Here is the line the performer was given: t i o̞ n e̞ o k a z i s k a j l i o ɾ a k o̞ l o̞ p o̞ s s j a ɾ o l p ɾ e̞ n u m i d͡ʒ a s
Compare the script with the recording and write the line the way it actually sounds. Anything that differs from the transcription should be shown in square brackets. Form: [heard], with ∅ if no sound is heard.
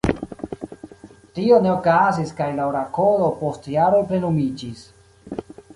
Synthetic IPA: t i o̞ n e̞ o k a z i s k a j l [a] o ɾ a k o̞ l o̞ p o̞ s [t] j a ɾ o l p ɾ e̞ n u m i d͡ʒ [i] s